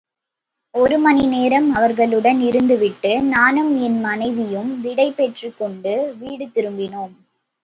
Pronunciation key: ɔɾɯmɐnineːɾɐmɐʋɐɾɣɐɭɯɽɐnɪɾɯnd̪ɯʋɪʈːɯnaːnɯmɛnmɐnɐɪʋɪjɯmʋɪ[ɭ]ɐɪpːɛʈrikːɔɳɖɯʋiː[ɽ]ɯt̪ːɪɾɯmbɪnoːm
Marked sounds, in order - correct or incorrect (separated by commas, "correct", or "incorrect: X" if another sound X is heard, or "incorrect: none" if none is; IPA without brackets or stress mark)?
incorrect: ɽ, correct